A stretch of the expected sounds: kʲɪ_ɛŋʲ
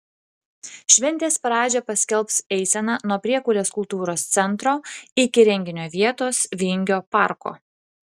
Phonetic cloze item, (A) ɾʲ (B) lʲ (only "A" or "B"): A